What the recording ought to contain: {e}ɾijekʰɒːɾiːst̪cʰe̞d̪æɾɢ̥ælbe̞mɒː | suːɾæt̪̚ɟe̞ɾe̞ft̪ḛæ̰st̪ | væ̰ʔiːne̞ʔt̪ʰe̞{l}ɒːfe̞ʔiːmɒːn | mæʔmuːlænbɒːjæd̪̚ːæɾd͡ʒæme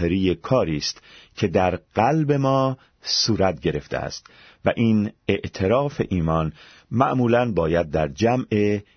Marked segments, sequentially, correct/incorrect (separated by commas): correct, incorrect